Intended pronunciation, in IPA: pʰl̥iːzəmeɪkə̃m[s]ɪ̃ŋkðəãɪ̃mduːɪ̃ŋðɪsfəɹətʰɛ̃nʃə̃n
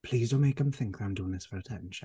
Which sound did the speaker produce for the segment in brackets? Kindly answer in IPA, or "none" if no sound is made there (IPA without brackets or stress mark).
θ